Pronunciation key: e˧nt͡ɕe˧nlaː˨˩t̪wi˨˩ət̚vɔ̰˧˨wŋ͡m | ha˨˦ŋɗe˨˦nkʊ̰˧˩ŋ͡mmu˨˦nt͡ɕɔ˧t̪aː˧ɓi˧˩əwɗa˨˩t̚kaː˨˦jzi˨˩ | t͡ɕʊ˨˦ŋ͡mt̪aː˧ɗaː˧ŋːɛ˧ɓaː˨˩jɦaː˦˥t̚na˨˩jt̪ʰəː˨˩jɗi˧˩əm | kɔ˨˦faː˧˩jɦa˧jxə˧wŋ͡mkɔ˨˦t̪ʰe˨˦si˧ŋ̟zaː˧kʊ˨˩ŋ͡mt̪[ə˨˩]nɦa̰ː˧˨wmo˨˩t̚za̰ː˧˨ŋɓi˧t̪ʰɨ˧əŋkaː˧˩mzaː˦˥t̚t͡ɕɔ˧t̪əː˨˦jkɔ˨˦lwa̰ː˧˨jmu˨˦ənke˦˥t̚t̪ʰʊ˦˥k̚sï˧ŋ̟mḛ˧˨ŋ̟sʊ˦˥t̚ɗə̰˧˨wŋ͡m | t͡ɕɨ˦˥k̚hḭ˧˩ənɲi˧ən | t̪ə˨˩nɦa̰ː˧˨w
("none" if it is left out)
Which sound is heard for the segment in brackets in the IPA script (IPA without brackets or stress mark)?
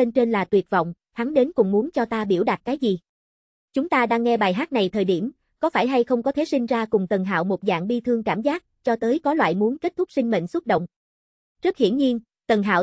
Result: ə˨˩